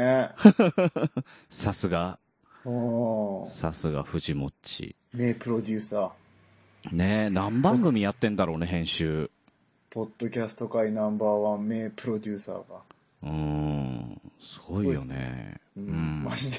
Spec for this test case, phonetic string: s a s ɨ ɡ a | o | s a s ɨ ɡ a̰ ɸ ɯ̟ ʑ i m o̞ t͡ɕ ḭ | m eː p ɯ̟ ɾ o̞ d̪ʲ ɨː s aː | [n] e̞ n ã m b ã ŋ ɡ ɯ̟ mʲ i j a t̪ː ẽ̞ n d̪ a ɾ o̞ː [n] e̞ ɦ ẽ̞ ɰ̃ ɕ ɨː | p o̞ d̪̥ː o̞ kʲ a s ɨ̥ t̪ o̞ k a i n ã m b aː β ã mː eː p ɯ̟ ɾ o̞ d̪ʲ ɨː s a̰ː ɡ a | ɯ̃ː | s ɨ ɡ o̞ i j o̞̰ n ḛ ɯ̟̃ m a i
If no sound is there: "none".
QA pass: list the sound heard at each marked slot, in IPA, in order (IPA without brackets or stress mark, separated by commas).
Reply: n, n